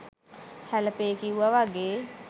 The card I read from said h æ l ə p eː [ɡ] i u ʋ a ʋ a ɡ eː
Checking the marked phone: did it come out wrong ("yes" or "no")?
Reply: yes